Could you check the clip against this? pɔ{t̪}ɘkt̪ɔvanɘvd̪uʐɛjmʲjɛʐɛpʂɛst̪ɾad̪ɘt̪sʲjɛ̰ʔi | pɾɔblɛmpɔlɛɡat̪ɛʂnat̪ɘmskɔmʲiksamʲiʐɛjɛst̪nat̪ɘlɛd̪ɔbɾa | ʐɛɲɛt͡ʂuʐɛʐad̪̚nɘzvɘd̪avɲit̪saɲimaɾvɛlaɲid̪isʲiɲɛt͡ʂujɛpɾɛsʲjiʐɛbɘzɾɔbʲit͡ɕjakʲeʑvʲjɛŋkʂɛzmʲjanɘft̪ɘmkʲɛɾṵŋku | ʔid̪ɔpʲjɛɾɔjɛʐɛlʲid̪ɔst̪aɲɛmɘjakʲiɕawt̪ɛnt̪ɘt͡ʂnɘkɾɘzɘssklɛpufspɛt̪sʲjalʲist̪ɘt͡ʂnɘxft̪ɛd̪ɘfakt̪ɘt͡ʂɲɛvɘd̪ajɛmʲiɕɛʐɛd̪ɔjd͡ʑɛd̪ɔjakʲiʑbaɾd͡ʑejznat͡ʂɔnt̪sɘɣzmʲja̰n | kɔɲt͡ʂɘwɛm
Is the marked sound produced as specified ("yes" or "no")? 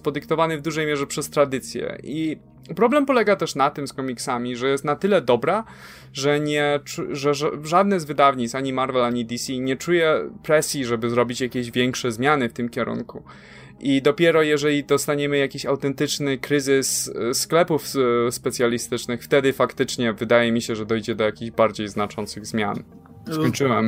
no